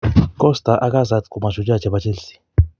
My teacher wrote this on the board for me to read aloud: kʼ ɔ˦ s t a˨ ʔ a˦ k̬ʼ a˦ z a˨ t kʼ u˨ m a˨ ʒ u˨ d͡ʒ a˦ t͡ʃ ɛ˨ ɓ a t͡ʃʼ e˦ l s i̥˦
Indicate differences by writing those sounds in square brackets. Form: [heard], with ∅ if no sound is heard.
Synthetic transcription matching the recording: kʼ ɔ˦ s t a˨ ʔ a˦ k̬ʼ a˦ z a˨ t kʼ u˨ m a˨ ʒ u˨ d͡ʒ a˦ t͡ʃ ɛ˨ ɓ a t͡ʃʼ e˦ l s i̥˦